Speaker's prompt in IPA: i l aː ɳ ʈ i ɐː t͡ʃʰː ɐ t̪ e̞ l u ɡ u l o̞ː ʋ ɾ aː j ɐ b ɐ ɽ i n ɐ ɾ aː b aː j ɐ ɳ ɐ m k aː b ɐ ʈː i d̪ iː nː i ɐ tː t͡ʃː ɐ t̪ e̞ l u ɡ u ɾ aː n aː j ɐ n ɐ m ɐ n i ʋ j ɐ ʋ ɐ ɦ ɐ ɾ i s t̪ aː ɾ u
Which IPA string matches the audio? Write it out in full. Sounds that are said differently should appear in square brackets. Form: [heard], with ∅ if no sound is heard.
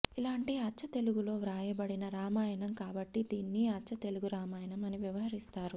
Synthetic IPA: i l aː ɳ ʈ i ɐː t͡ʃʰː ɐ t̪ e̞ l u ɡ u l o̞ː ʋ ɾ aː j ɐ b ɐ ɽ i n ɐ ɾ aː [m] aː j ɐ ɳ ɐ m k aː b ɐ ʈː i d̪ iː nː i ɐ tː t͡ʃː ɐ t̪ e̞ l u ɡ u ɾ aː [m] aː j ɐ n ɐ m ɐ n i ʋ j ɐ ʋ ɐ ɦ ɐ ɾ i s t̪ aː ɾ u